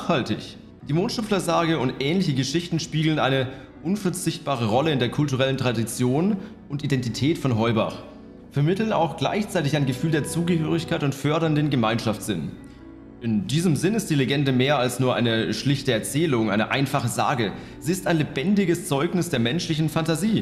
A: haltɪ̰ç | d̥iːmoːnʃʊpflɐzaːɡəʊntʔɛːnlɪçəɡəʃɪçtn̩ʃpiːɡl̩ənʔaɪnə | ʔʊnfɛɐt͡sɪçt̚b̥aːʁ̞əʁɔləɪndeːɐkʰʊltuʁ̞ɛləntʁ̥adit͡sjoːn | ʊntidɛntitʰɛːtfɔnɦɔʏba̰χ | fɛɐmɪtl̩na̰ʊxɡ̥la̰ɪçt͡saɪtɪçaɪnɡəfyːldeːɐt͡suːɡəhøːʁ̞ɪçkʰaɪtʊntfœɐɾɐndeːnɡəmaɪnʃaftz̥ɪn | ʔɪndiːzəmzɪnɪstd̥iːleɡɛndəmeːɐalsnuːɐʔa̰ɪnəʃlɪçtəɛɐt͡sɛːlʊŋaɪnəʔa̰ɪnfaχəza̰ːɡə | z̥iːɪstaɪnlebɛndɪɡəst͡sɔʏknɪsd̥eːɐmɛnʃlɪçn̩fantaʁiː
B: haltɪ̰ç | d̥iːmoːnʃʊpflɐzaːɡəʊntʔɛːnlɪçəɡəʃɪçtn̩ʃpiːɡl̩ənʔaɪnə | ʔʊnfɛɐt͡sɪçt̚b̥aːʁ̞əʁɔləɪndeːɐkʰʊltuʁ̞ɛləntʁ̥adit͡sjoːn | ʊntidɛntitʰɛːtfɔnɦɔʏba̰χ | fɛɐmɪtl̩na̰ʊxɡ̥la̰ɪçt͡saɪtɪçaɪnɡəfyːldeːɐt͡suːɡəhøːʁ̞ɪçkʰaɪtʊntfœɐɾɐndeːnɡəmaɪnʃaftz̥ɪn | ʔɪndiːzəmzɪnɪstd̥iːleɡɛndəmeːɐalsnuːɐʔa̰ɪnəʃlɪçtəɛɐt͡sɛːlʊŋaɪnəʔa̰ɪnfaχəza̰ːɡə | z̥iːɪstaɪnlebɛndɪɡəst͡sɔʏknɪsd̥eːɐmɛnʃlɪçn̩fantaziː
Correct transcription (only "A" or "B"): B